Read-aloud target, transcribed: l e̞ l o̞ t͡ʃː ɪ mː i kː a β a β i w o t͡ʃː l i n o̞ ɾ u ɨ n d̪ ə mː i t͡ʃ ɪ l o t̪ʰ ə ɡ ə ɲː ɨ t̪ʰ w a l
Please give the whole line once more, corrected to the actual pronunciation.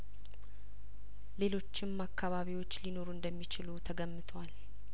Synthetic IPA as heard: l e̞ l o̞ t͡ʃː ɪ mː a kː a β a β i w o t͡ʃː l i n o̞ ɾ u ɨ n d̪ ə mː i t͡ʃ ɪ l u t̪ʰ ə ɡ ə mː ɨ t̪ʰ w a l